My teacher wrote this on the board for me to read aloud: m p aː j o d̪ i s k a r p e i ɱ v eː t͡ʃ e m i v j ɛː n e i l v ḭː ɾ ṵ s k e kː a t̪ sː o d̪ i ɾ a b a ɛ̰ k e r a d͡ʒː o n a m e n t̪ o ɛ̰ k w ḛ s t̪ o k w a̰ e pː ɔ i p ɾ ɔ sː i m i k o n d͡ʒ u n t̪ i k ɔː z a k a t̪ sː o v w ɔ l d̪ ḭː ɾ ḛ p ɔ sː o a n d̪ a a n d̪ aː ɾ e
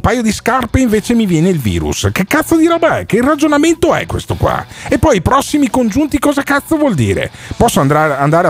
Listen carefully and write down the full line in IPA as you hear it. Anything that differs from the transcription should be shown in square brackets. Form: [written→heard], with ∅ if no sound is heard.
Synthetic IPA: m p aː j o d̪ i s k a r p e i ɱ v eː t͡ʃ e m i v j ɛː n e i l v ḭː ɾ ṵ s k e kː a t̪ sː o d̪ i ɾ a b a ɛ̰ k e r a [d͡ʒː→d͡ʒ] o n a m e n t̪ o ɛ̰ k w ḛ s t̪ o k w a̰ e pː ɔ [i→j] p ɾ ɔ sː i m i k o n d͡ʒ u n t̪ i k ɔː z a k a t̪ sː o v w ɔ l d̪ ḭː ɾ ḛ p ɔ sː o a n d̪ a a n d̪ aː ɾ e